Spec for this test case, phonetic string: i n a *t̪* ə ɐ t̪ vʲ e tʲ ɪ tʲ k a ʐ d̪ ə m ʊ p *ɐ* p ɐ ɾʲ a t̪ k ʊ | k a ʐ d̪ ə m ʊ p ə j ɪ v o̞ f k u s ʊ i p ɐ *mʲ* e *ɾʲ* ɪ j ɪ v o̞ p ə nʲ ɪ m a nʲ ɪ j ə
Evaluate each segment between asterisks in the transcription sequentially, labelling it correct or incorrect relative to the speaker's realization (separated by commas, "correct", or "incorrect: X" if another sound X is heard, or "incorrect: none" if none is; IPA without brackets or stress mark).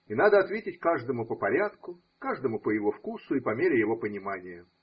incorrect: d̪, incorrect: ə, correct, correct